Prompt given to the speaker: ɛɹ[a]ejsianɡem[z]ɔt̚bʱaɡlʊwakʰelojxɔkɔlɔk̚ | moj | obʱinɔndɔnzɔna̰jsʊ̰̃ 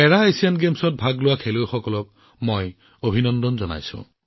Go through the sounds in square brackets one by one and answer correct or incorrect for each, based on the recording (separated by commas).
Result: correct, incorrect